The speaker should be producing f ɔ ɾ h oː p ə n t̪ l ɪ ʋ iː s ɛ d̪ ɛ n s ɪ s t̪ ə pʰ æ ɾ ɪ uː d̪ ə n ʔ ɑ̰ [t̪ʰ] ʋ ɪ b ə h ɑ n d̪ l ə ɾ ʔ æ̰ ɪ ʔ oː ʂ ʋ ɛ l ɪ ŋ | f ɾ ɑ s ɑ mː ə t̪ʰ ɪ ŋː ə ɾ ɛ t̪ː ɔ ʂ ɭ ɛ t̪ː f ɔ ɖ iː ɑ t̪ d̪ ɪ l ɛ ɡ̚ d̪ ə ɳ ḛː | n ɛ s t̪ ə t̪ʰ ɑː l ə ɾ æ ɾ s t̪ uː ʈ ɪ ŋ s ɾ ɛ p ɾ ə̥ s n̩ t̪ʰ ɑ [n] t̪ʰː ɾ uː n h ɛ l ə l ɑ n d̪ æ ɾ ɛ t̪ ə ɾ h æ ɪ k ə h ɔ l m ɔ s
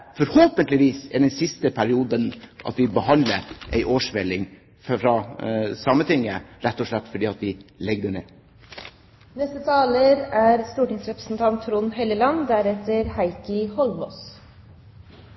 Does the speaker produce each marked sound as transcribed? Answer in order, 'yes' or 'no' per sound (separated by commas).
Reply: no, yes